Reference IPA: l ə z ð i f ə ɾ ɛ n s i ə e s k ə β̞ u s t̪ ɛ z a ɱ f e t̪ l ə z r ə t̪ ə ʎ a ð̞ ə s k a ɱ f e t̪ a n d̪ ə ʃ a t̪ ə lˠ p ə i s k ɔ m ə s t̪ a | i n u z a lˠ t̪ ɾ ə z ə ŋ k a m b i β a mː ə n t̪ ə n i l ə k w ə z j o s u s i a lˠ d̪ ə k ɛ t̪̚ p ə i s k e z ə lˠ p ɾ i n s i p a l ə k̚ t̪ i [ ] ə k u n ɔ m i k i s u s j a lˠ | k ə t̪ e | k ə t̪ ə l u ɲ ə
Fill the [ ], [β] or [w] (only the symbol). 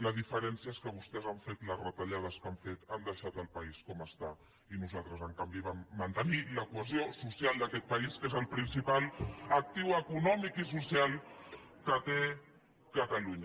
w